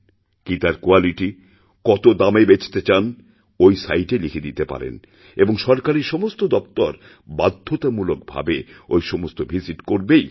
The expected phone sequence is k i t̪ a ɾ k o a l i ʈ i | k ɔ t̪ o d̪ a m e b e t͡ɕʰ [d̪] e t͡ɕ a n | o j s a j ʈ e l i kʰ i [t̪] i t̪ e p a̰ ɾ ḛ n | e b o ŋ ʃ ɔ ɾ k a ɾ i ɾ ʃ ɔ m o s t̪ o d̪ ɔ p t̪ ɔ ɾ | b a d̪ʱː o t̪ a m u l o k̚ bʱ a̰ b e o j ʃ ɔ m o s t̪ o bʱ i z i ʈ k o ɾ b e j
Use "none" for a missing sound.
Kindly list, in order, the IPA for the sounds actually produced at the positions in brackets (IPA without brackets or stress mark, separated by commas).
t̪, d̪